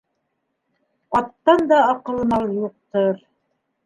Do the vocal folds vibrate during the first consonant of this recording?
no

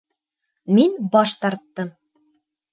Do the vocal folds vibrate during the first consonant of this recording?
yes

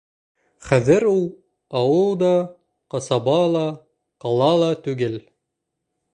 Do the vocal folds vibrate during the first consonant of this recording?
no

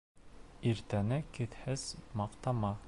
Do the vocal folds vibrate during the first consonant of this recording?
yes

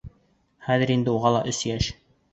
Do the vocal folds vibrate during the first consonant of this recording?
no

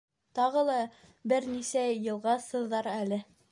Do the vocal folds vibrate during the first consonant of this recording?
no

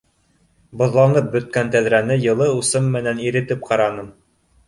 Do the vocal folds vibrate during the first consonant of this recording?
yes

